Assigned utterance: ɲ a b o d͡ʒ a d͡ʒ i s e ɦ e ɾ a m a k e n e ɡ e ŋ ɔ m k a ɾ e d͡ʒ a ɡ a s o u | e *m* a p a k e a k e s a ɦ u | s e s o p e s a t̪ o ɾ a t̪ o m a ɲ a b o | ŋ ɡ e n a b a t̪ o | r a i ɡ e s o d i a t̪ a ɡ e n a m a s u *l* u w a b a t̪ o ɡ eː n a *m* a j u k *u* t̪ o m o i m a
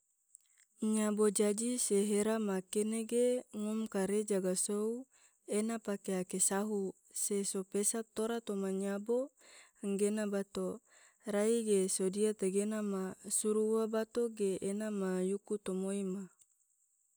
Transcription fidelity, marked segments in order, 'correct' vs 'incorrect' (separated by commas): incorrect, incorrect, correct, correct